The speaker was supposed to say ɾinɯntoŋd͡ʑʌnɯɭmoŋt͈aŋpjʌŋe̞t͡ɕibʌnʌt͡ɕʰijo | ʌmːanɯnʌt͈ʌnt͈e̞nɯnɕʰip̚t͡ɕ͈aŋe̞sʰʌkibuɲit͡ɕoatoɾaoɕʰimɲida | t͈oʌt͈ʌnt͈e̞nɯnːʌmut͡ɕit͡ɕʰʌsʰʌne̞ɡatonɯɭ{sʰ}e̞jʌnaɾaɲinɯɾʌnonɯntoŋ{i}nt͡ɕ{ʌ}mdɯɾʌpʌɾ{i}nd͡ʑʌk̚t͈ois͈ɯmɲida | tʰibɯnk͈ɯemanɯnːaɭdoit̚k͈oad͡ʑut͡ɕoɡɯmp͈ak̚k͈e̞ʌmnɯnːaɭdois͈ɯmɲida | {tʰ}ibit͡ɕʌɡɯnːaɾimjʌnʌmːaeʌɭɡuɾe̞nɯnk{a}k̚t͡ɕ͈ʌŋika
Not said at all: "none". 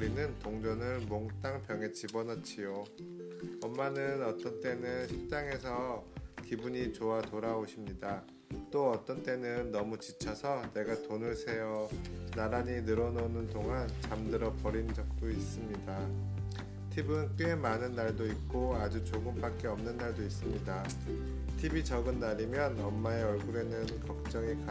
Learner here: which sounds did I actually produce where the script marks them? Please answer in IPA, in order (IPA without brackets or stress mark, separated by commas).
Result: sʰ, a, a, i, tʰ, ʌ